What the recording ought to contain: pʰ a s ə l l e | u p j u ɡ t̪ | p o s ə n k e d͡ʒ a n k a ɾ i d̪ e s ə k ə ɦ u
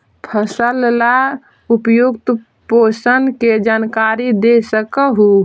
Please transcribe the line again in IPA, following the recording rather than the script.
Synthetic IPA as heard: pʰ ə s ə l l a | u p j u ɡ t̪ | p o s ə n k e d͡ʒ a n k a ɾ i d̪ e s ə k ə ɦ u